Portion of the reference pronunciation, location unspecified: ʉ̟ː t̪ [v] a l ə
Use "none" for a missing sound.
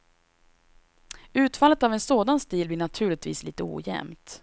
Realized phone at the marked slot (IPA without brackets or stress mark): f